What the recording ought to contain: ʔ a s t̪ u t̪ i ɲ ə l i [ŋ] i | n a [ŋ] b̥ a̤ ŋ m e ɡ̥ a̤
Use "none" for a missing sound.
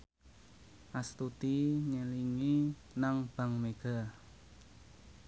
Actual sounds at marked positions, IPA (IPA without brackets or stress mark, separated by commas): ŋ, ŋ